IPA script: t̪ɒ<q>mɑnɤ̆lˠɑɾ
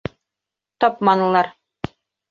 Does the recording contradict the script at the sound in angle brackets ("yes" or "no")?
yes